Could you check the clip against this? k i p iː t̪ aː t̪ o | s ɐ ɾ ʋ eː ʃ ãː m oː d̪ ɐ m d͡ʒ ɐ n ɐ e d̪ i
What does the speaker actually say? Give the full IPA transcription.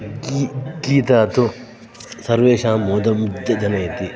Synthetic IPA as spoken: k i k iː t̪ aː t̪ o | s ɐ ɾ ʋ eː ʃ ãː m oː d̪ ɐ m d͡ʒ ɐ n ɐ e t̪ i